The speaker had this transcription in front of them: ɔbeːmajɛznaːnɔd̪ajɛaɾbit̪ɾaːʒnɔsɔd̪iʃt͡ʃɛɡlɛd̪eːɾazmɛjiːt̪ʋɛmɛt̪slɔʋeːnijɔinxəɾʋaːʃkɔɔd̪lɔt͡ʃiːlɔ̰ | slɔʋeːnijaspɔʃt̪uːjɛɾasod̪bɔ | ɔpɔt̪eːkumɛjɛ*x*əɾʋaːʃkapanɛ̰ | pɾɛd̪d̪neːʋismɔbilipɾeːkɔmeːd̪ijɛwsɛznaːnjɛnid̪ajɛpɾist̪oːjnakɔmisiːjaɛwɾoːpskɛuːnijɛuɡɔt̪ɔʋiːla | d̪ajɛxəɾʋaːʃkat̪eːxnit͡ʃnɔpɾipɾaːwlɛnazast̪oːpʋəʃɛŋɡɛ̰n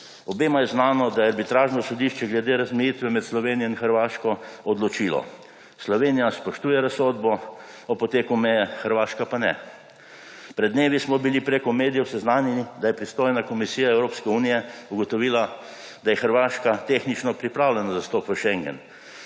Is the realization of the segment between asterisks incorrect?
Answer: no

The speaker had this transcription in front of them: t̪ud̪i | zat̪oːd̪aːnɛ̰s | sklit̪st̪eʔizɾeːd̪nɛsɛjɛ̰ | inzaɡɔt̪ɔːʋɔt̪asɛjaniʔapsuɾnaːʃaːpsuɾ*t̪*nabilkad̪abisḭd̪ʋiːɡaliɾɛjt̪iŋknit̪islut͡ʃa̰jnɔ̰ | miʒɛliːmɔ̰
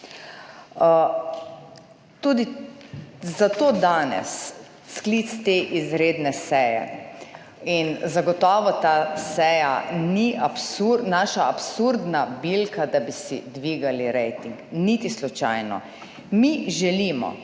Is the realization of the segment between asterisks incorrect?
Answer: yes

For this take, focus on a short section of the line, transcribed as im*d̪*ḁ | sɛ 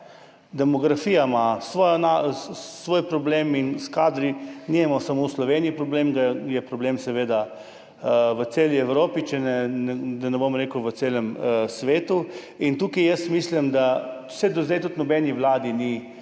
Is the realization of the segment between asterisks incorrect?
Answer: no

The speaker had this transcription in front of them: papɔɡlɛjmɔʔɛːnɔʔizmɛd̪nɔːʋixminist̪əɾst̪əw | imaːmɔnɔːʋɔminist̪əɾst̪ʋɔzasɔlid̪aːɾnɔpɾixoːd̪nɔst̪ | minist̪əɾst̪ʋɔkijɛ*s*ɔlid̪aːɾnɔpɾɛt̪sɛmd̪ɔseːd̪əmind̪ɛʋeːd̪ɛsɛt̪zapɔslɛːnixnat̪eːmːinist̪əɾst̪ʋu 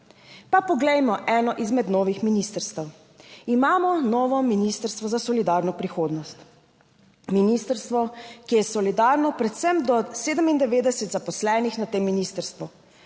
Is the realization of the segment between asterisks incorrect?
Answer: no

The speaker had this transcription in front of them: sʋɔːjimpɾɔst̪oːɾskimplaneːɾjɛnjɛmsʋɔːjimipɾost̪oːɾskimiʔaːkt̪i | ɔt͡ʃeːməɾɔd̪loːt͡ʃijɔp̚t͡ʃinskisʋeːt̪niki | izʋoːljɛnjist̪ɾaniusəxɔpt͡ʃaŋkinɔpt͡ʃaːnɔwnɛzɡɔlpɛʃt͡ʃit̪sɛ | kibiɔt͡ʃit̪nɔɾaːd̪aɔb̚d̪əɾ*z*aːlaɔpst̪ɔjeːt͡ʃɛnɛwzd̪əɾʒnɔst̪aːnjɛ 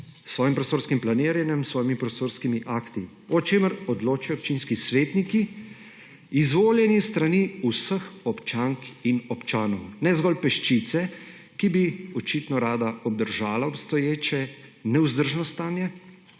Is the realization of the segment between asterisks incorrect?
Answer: yes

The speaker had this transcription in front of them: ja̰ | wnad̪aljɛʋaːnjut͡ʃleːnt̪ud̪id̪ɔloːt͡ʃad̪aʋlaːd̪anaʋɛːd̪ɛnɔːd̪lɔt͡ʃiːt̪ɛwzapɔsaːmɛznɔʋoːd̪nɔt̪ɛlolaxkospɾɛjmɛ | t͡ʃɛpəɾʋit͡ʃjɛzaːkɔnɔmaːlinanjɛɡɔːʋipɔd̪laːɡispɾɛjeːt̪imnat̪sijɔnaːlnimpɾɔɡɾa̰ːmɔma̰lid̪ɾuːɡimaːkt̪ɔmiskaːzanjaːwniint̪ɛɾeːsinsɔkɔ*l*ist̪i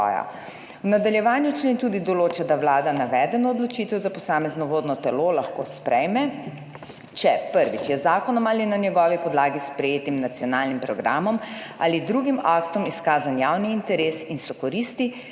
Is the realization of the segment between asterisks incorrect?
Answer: yes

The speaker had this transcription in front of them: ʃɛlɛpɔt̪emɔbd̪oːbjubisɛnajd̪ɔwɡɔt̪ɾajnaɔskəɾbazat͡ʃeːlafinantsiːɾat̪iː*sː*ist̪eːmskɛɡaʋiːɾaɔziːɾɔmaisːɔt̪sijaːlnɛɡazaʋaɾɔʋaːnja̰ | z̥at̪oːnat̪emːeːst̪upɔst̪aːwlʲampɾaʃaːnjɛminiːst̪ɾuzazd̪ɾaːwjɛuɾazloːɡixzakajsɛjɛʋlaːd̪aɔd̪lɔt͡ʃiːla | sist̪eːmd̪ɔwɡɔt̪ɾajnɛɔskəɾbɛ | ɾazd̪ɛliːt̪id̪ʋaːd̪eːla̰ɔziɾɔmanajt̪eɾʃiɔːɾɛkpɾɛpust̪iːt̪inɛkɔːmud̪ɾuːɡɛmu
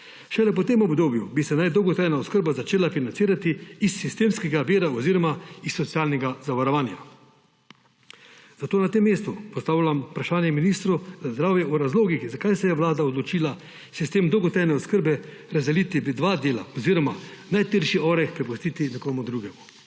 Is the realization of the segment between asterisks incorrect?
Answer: no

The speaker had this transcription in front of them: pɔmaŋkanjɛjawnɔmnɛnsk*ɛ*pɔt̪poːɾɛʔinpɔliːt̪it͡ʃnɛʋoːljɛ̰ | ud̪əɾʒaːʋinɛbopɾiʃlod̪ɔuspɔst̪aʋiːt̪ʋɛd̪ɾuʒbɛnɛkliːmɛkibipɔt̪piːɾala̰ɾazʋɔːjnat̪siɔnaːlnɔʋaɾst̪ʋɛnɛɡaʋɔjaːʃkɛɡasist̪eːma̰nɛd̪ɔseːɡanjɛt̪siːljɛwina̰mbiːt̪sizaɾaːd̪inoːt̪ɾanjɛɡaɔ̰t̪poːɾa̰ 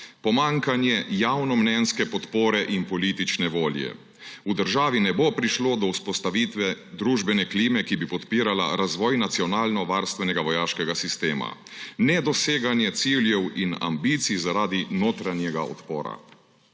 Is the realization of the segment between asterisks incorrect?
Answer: no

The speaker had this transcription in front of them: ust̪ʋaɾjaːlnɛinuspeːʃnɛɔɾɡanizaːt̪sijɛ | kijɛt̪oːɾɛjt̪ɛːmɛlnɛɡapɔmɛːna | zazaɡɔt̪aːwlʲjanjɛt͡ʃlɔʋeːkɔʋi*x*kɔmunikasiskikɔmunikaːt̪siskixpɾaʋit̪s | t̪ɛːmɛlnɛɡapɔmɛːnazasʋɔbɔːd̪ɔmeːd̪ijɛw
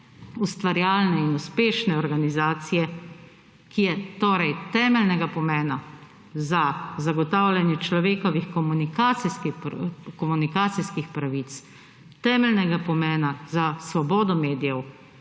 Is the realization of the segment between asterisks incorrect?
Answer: no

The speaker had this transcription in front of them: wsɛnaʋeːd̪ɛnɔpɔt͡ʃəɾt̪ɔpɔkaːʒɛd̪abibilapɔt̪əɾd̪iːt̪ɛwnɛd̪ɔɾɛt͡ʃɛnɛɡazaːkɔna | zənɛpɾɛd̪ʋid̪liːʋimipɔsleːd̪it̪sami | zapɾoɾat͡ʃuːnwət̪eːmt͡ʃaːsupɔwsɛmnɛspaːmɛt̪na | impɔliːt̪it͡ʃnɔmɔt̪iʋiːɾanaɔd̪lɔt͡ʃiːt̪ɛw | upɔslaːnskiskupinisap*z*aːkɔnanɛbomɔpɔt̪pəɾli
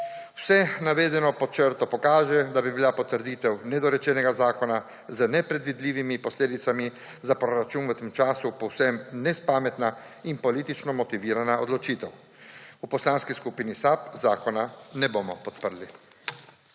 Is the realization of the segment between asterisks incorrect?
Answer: no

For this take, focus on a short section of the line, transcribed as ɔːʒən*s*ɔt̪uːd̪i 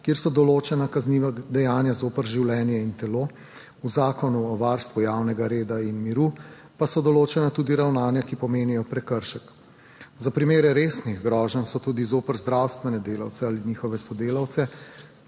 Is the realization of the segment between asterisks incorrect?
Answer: no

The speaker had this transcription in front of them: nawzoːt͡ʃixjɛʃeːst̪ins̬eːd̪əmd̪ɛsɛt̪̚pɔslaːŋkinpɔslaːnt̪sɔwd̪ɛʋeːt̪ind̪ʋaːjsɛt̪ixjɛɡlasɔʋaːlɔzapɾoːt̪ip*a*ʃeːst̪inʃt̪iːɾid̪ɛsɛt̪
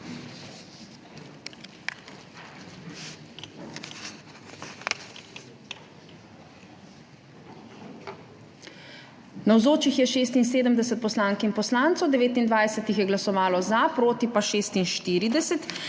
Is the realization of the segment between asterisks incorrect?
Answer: no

